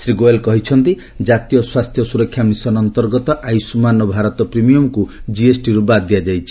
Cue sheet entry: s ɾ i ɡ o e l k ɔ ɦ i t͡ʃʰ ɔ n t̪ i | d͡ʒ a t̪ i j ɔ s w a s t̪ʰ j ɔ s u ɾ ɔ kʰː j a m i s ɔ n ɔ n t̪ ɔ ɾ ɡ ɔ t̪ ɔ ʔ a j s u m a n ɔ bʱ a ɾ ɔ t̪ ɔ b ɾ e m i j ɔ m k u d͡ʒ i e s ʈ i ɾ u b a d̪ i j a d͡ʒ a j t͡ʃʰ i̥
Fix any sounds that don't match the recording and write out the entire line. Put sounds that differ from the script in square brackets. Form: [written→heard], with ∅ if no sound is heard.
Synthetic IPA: s ɾ i ɡ o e l k ɔ ɦ i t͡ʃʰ ɔ n t̪ i | d͡ʒ a t̪ i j ɔ s w a s t̪ʰ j ɔ s u ɾ ɔ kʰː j a m i s ɔ n ɔ n t̪ ɔ ɾ ɡ ɔ t̪ ɔ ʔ a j s u m a n ɔ bʱ a ɾ ɔ t̪ ɔ [b→p] ɾ [e→i] m i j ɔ m k u d͡ʒ i e s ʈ i ɾ u b a d̪ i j a d͡ʒ a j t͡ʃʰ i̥